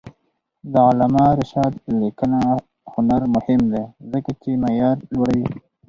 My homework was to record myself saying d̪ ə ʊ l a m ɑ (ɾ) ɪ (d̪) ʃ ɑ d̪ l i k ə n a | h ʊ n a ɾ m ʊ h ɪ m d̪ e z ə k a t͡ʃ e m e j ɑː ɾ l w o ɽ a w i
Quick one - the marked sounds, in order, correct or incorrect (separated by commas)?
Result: correct, incorrect